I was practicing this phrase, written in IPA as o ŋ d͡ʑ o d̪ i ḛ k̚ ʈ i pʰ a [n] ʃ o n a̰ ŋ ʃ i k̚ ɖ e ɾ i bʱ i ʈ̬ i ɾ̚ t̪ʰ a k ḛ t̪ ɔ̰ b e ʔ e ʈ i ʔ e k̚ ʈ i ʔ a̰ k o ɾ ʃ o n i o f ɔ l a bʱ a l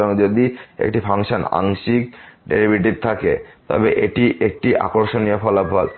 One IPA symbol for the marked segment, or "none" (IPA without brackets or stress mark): ŋ